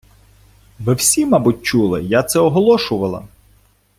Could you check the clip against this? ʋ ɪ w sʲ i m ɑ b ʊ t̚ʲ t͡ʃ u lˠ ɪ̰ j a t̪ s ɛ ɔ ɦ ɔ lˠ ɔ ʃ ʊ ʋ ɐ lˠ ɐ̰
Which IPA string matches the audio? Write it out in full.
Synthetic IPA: ʋ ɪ w sʲ i m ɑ b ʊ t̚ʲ t͡ʃ u lˠ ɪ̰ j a t̪ s ɛ ɔ ɦ ɔ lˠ ɔ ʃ ʊ ʋ ɐ lˠ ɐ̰